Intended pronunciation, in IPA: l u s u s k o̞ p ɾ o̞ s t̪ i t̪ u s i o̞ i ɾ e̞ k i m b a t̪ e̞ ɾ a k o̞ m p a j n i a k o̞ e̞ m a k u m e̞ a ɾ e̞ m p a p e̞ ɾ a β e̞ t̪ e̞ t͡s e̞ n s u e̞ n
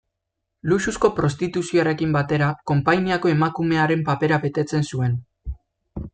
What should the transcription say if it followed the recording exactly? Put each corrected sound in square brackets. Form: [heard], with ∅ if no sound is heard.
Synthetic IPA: l u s u s k o̞ p ɾ o̞ s t̪ i t̪ u s i o̞ [a] ɾ e̞ k i m b a t̪ e̞ ɾ a k o̞ m p a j n i a k o̞ e̞ m a k u m e̞ a ɾ e̞ m p a p e̞ ɾ a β e̞ t̪ e̞ t͡s e̞ n s u e̞ n